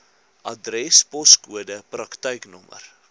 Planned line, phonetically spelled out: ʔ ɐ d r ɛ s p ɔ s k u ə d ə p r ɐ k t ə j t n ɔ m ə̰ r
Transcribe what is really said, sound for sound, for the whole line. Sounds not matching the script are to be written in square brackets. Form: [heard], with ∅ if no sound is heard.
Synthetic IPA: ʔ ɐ d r ɛ s p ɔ s k u ə d ə p r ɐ k t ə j [k] n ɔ m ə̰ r